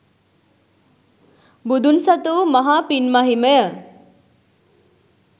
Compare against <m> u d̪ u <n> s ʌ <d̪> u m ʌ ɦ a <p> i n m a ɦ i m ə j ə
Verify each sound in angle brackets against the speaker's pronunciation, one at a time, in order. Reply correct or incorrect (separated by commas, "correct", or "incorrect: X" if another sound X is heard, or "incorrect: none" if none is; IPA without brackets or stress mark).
incorrect: b, correct, incorrect: t̪, correct